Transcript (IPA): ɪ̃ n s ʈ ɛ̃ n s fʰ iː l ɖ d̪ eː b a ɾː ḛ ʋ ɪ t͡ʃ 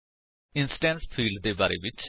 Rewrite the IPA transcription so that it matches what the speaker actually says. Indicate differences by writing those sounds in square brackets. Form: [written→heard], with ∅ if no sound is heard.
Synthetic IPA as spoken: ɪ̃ n s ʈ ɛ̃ n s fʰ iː l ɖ d̪ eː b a [ɾː→ɾ] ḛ ʋ ɪ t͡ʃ